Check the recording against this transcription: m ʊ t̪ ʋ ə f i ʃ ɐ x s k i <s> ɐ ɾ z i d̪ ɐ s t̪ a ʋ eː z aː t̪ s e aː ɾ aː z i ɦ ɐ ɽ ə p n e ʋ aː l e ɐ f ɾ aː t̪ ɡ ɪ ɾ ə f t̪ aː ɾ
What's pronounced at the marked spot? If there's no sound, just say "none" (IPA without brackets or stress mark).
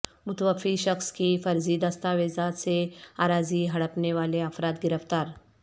f